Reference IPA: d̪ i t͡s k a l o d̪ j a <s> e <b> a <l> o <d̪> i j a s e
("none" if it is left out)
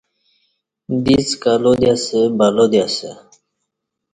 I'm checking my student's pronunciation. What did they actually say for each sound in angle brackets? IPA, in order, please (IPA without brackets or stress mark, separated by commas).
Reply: s, b, l, d̪